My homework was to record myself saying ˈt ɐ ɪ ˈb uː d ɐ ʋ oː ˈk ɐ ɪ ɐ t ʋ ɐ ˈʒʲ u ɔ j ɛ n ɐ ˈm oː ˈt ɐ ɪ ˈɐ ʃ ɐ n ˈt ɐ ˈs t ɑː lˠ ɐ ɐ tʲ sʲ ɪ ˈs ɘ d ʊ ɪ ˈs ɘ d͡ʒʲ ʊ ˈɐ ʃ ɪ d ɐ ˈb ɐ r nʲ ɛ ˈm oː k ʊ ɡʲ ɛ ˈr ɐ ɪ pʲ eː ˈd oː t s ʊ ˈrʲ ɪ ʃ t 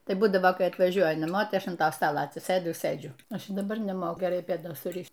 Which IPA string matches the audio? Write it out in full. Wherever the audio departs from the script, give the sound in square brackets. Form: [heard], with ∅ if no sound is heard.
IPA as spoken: ˈt ɐ ɪ ˈb uː d ɐ ʋ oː ˈk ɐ ɪ ɐ t ʋ ɐ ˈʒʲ u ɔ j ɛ n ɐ ˈm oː ˈt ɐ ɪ ˈɐ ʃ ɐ n ˈt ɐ ˈs t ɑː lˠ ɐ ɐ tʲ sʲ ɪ ˈs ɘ d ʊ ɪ ˈs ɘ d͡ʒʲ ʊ ˈɐ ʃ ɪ d ɐ ˈb ɐ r nʲ ɛ ˈm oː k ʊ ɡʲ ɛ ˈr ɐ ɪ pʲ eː ˈd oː [s] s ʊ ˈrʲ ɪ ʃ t